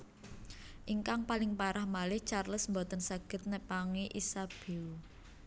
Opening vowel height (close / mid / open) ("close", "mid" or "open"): close